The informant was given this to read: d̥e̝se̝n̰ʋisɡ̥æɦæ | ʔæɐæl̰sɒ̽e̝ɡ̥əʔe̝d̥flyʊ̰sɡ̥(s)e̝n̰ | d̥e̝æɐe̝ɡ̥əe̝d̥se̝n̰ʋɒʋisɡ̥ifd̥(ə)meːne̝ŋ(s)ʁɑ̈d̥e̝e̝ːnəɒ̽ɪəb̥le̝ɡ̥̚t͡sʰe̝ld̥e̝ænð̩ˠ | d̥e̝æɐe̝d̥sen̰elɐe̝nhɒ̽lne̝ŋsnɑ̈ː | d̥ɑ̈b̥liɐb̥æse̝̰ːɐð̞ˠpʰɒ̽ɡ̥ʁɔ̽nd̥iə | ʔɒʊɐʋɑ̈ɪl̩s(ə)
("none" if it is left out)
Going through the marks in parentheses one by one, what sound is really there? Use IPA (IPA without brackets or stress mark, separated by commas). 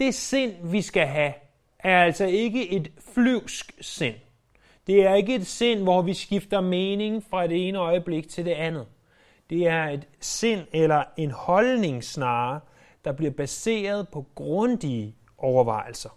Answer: s, ɐ, f, ɐ